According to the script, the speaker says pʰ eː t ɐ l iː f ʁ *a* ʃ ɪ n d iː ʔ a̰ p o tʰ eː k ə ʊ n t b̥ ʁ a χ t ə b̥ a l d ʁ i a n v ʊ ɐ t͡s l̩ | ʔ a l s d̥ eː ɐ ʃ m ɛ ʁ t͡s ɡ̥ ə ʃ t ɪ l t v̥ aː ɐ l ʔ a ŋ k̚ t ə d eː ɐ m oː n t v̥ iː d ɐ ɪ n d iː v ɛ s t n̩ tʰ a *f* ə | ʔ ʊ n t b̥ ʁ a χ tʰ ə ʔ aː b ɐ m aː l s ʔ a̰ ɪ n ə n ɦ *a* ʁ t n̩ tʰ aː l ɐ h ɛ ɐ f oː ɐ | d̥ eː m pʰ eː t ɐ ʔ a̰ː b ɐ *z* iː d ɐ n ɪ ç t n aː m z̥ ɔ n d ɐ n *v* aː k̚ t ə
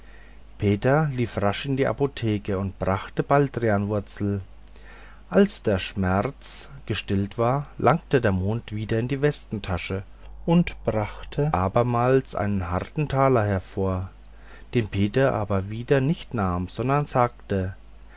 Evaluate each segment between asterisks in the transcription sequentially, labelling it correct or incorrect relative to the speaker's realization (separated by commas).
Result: correct, incorrect, correct, incorrect, incorrect